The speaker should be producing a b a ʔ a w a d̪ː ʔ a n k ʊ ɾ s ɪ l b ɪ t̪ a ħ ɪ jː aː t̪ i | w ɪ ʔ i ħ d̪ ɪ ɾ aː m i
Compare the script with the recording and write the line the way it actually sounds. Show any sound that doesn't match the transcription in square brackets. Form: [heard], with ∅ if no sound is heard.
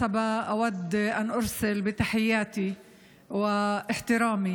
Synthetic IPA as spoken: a b a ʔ a w a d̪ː ʔ a n [ʔ] ʊ ɾ s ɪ l b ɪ t̪ a ħ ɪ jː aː t̪ i | w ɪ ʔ [ɪ] ħ [t̪] ɪ ɾ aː m i